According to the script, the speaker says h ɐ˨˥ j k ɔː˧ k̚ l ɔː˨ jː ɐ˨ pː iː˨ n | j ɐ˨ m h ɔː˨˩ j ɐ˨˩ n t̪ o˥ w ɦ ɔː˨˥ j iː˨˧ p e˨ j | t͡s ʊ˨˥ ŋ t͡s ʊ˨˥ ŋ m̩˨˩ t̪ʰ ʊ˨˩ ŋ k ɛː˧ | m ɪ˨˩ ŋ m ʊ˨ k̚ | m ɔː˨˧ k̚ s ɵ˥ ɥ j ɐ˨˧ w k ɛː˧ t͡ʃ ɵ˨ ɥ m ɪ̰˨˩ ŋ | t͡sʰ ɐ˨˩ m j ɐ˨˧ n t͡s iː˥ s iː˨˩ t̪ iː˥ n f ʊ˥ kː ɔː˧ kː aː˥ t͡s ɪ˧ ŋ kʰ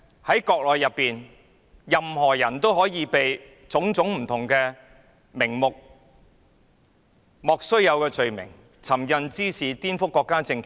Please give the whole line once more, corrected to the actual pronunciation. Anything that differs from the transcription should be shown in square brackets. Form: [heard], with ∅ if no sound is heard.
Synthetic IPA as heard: h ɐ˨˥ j k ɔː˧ k̚ l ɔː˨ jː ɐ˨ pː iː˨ n | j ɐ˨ m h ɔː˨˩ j ɐ˨˩ n t̪ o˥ w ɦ ɔː˨˥ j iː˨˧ p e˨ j | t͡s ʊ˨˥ ŋ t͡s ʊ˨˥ ŋ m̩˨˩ t̪ʰ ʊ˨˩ ŋ k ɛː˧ | m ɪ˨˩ ŋ m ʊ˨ k̚ | m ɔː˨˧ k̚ s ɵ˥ ɥ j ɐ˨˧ w k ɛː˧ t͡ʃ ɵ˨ ɥ m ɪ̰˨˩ ŋ | t͡sʰ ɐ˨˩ m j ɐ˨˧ n t͡s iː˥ s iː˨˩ t̪ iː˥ n f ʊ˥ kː ɔː˧ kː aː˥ t͡s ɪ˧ ŋ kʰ